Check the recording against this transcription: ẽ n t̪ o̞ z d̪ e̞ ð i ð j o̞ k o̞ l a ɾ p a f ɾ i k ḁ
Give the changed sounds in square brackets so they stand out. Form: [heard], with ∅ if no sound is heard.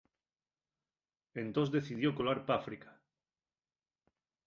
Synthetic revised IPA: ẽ n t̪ o̞ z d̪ e̞ [θ] i ð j o̞ k o̞ l a ɾ p a f ɾ i k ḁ